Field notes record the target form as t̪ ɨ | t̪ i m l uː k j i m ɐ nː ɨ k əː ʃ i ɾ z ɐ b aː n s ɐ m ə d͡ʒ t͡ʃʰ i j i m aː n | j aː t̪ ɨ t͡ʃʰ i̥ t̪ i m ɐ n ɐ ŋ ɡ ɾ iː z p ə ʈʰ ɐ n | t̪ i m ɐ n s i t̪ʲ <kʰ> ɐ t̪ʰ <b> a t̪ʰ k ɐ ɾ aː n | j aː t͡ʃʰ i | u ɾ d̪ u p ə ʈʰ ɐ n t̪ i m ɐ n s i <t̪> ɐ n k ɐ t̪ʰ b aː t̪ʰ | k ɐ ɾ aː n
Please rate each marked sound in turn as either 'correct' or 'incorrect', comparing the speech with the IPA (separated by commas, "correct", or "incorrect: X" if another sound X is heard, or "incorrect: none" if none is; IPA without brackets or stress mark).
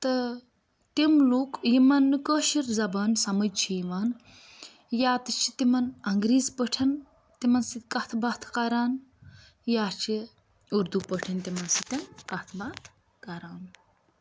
incorrect: k, correct, correct